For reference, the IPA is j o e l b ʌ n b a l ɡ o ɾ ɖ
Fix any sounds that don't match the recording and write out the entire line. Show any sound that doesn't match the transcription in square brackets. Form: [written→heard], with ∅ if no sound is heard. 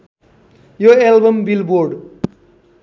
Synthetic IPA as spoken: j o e l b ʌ [n→m] b [a→i] l [ɡ→b] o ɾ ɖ